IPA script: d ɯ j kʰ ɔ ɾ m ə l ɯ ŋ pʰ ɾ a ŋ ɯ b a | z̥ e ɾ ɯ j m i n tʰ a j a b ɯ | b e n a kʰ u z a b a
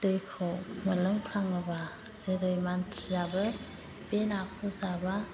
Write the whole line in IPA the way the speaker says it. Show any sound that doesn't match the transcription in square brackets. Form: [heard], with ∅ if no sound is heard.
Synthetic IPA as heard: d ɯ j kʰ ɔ [∅] m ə l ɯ ŋ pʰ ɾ a ŋ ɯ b a | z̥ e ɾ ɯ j m [a] n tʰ [i] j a b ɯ | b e n a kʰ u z a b a